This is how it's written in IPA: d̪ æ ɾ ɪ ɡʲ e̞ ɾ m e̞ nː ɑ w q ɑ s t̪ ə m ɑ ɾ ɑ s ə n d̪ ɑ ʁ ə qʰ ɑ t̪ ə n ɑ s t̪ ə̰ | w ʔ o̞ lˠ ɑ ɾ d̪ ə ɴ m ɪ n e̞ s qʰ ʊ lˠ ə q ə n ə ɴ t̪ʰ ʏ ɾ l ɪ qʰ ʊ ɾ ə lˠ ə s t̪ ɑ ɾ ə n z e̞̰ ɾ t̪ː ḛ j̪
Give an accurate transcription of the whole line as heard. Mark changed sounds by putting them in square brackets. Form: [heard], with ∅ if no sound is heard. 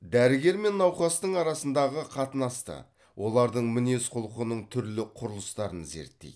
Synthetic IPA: d̪ æ ɾ ɪ ɡʲ e̞ ɾ m e̞ nː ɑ w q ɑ s t̪ ə [ɴ] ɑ ɾ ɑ s ə n d̪ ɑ ʁ ə qʰ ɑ t̪ ə n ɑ s t̪ ə̰ | w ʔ o̞ lˠ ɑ ɾ d̪ ə ɴ m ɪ n e̞ s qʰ ʊ lˠ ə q ə n ə ɴ t̪ʰ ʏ ɾ l ɪ qʰ ʊ ɾ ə lˠ ə s t̪ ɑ ɾ ə n z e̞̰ ɾ t̪ː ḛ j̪